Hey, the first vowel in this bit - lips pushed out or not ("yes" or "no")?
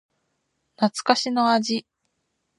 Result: no